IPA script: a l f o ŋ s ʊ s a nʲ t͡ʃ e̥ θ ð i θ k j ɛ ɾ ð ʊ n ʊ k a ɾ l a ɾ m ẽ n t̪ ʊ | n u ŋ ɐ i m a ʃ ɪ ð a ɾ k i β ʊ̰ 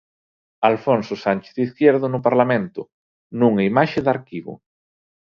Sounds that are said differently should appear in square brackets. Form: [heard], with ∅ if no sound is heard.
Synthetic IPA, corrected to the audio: a l f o [n] s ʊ s a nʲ t͡ʃ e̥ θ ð i θ k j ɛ ɾ ð ʊ n ʊ [p] a ɾ l a [∅] m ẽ n t̪ ʊ | n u ŋ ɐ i m a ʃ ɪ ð a ɾ k i β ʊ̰